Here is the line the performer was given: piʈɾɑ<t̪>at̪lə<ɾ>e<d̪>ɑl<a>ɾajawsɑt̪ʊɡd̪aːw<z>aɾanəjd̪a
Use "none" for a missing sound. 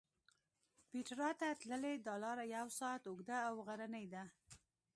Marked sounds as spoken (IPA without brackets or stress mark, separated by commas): t̪, l, d̪, ɑ, ɣ